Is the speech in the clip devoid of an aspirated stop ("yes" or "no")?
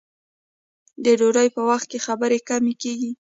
yes